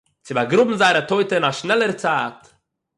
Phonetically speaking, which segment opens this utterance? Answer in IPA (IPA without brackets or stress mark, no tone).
t͡s